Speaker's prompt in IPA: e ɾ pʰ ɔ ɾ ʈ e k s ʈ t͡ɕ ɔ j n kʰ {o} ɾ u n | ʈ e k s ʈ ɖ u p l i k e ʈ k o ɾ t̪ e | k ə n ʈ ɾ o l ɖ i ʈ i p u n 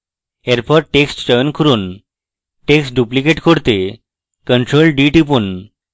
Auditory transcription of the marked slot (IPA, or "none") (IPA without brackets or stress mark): u